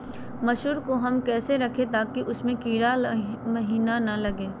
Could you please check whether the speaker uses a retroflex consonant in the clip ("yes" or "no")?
no